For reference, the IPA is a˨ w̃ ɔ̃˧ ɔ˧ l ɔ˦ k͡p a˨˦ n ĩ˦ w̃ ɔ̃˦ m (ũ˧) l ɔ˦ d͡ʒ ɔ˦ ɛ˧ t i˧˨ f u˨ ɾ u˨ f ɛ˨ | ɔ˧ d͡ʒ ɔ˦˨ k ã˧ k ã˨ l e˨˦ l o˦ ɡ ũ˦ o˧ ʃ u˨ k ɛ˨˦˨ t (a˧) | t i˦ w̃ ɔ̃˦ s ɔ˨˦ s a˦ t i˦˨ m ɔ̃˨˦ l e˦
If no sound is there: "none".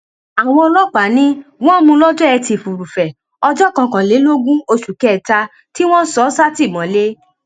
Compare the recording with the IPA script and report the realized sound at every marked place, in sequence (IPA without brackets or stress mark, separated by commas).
ũ˧, a˧